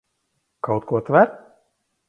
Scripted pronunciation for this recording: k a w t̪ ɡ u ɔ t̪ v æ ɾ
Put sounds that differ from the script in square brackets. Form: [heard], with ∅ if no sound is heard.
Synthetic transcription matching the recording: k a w t̪ [k] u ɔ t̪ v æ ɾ